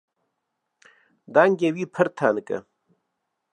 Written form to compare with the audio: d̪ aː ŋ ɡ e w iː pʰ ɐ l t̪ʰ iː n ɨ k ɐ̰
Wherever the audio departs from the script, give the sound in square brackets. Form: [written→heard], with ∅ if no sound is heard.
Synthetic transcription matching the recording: d̪ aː ŋ ɡ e w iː pʰ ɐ [l→ɾ] t̪ʰ [iː→aː] n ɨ k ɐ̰